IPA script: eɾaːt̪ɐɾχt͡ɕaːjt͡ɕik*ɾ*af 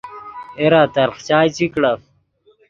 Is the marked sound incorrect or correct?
incorrect